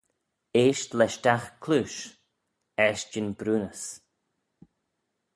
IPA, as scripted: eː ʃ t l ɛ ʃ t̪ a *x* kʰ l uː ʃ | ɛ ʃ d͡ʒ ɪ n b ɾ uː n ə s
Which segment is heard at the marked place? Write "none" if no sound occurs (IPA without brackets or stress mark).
x